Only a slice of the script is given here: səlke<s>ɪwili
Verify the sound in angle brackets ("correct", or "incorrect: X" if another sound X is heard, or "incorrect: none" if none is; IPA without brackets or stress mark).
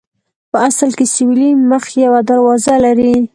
correct